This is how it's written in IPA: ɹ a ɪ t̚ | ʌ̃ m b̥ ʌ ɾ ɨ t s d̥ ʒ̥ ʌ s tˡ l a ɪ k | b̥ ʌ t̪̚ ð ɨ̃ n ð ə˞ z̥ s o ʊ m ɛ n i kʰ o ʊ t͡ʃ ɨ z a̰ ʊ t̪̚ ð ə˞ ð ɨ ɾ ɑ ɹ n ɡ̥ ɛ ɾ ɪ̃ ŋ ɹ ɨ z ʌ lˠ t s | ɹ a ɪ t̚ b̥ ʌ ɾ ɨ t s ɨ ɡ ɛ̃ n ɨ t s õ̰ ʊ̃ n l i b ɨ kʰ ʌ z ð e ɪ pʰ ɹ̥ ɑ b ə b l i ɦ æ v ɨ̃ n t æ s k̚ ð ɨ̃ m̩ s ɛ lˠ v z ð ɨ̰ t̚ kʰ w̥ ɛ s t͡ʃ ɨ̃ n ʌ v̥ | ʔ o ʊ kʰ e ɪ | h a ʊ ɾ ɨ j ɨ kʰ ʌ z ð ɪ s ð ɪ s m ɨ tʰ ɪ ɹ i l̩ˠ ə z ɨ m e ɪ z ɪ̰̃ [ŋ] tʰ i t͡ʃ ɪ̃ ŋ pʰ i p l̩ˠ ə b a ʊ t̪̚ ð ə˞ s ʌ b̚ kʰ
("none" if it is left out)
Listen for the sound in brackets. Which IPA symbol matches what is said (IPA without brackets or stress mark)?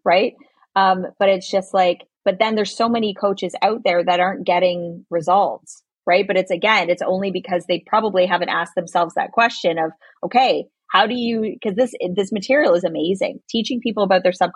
ŋ